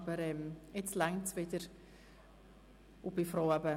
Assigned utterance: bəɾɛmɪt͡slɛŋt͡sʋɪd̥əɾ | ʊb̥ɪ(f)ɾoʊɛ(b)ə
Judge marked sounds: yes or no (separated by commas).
yes, yes